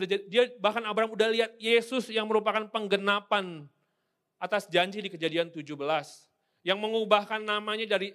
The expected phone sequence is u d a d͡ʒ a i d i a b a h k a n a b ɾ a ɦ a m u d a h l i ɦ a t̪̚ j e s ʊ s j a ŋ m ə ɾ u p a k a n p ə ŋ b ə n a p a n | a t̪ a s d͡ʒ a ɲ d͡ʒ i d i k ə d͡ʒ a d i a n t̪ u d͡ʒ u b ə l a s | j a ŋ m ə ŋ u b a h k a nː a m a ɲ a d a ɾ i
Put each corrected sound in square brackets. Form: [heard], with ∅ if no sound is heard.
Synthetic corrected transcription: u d a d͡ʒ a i d i a b a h k a n a b ɾ a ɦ a m u d a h l i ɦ a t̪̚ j e s ʊ s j a ŋ m ə ɾ u p a k a n p ə ŋ [ɡ] ə n a p a n | a t̪ a s d͡ʒ a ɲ d͡ʒ i d i k ə d͡ʒ a d i a n t̪ u d͡ʒ u b ə l a s | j a ŋ m ə ŋ u b a h k a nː a m a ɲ a d a ɾ i